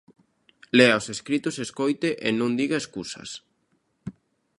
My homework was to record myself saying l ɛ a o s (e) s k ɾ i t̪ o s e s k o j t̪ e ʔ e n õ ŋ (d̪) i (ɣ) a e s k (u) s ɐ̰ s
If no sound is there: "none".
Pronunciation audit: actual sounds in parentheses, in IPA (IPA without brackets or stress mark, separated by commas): e, d̪, ɣ, u